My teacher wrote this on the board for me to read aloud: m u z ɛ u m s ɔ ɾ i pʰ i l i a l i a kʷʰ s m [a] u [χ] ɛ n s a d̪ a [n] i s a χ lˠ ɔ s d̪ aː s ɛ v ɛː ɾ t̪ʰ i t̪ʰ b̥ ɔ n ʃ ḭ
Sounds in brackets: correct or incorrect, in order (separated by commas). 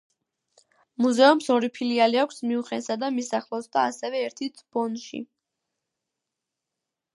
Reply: incorrect, correct, incorrect